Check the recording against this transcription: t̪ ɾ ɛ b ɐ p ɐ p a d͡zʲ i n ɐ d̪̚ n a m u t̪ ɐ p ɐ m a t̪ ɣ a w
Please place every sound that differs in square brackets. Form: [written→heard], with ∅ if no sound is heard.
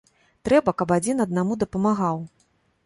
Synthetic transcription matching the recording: t̪ ɾ ɛ b ɐ [p→k] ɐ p a d͡zʲ i n ɐ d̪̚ n a m u [t̪→d̪] ɐ p ɐ m a [t̪→∅] ɣ a w